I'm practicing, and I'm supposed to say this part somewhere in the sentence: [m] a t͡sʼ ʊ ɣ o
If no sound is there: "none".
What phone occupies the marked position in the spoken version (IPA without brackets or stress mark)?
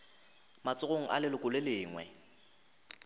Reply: m